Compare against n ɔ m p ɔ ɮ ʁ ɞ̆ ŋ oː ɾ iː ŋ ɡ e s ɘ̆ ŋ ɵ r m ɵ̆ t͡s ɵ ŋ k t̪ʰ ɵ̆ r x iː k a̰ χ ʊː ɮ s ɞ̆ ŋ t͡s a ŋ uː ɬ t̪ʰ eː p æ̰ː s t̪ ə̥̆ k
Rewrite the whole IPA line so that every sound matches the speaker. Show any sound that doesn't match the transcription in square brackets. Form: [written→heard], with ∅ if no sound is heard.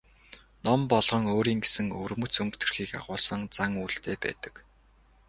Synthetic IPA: n ɔ m p ɔ ɮ ʁ ɞ̆ ŋ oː ɾ iː ŋ ɡ e s ɘ̆ ŋ ɵ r m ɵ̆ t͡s ɵ ŋ k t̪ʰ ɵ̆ r x iː k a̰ [χ→ʁ] ʊː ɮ s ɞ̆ ŋ t͡s a ŋ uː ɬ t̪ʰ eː p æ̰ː [s→∅] t̪ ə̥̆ k

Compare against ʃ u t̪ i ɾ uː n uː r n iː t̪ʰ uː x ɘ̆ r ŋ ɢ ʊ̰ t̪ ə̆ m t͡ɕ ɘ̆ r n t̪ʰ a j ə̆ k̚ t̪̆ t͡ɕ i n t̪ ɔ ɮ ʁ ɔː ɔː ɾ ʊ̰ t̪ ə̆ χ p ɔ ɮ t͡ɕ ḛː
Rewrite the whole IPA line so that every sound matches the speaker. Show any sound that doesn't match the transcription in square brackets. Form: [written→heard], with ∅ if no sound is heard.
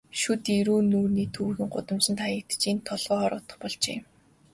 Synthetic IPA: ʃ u t̪ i ɾ uː n uː r n iː t̪ʰ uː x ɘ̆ [r→∅] ŋ ɢ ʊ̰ t̪ ə̆ m t͡ɕ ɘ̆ [r→∅] n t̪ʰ a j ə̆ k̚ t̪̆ t͡ɕ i n [t̪→t̪ʰ] ɔ ɮ ʁ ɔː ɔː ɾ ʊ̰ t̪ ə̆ χ p ɔ ɮ t͡ɕ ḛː

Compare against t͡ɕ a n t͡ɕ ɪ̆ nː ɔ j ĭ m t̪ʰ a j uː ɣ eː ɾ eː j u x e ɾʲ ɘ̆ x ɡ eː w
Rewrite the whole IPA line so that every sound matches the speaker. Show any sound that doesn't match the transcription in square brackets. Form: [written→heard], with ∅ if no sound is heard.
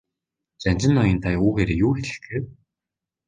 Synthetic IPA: t͡ɕ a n t͡ɕ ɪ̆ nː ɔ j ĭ [m→n] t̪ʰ a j uː ɣ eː ɾ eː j [u→uː] x e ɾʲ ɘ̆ x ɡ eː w

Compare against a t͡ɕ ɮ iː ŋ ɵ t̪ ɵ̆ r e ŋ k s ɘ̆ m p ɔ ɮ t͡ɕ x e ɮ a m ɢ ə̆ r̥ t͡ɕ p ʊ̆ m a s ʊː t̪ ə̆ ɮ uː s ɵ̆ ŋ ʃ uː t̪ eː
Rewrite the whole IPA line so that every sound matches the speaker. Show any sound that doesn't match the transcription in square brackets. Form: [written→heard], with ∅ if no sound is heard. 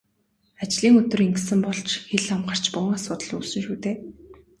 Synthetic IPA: a t͡ɕ ɮ iː ŋ ɵ t̪ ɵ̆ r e ŋ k s ɘ̆ m p ɔ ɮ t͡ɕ x e ɮ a m ɢ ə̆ r̥ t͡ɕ p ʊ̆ [m→ŋ] a s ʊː t̪ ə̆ ɮ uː s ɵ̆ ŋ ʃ uː t̪ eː

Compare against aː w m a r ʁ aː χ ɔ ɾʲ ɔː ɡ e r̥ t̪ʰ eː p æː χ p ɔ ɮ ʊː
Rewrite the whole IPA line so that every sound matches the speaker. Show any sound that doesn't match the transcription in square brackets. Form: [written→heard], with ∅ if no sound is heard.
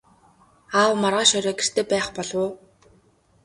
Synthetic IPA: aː w m a r ʁ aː [χ→ʃ] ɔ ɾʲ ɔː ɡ e r̥ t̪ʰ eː p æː χ p ɔ ɮ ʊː

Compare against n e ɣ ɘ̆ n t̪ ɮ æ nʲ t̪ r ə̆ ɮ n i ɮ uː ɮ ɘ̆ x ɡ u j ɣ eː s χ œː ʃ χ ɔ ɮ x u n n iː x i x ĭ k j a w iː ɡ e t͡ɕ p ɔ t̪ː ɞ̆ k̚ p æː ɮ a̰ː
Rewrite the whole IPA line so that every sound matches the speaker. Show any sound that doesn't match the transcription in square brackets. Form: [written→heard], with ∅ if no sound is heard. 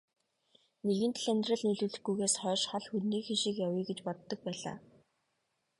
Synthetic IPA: n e ɣ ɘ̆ n t̪ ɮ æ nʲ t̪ r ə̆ ɮ n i ɮ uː ɮ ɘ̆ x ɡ u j ɣ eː s χ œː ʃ χ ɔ ɮ x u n n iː x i [x→ʃ] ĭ k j a w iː ɡ e t͡ɕ p ɔ t̪ː ɞ̆ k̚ p æː ɮ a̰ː

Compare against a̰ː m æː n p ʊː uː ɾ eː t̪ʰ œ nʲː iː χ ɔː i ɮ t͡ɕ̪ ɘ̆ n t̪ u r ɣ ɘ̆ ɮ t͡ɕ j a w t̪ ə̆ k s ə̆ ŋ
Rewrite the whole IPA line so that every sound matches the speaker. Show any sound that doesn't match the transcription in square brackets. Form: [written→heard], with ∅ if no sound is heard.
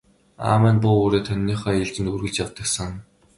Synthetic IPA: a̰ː m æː n p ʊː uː ɾ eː t̪ʰ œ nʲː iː χ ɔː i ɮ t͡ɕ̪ ɘ̆ n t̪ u r ɣ ɘ̆ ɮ t͡ɕ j a w t̪ ə̆ k s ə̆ ŋ

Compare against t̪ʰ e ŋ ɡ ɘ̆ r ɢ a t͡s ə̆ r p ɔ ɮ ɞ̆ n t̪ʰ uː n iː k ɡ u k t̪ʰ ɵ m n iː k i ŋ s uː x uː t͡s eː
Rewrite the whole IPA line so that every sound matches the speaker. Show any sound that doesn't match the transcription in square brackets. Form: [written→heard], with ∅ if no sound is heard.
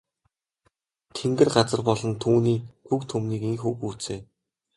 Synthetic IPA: t̪ʰ e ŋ ɡ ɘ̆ r ɢ a t͡s ə̆ r p ɔ ɮ ɞ̆ n t̪ʰ uː n iː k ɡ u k t̪ʰ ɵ m n iː k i ŋ [s→x] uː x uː t͡s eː

